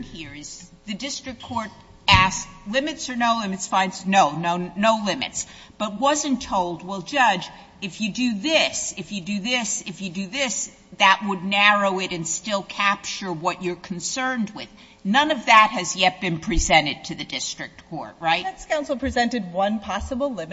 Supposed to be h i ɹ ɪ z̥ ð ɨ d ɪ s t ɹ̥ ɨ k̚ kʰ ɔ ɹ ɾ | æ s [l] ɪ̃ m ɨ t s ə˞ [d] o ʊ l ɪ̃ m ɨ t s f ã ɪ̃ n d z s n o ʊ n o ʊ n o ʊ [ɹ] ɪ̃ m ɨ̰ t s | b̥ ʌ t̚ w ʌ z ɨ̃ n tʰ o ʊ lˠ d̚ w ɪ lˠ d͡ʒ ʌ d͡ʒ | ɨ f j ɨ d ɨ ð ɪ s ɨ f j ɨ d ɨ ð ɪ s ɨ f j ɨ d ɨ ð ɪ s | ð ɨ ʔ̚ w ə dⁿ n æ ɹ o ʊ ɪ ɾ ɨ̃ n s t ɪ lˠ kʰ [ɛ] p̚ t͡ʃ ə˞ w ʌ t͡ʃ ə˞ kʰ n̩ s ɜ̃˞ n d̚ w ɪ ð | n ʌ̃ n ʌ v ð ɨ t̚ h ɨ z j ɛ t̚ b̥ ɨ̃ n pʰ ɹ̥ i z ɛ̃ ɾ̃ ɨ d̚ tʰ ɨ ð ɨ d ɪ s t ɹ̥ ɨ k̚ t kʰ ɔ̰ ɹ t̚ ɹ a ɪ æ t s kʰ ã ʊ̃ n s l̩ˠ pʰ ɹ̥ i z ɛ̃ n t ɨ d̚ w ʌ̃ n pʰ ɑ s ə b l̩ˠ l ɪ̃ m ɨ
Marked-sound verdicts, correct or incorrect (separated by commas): correct, incorrect, incorrect, incorrect